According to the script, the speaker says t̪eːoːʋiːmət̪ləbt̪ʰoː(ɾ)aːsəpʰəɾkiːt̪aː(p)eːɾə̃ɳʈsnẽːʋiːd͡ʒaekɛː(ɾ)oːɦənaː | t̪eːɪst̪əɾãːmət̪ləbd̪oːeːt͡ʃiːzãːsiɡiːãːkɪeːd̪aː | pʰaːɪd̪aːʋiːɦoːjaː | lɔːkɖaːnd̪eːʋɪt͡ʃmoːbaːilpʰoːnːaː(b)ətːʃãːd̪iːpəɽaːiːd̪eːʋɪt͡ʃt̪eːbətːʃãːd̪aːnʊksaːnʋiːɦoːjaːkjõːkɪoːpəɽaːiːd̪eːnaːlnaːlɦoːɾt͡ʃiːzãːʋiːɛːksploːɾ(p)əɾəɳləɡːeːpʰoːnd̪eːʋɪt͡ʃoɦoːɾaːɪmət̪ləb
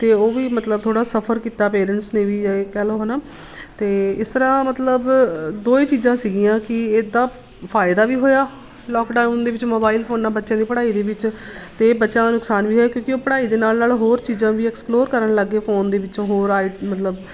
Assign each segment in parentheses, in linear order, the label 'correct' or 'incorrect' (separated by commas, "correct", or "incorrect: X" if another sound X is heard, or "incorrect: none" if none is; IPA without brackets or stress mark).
incorrect: ɽ, correct, incorrect: l, correct, incorrect: k